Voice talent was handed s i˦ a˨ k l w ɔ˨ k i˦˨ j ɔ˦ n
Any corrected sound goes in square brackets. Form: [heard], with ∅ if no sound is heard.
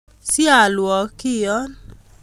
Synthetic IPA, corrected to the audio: s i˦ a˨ [∅] l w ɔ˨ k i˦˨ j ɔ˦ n